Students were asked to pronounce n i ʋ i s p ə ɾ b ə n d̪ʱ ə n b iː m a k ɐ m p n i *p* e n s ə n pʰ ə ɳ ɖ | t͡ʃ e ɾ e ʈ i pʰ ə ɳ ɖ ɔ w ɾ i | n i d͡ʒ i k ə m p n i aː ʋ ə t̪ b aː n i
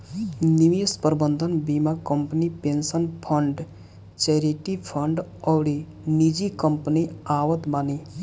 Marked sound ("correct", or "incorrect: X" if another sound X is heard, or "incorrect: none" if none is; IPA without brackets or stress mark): correct